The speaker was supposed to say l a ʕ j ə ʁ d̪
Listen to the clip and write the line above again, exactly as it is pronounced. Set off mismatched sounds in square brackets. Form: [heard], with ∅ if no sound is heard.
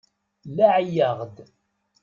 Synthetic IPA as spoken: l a ʕ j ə ʁ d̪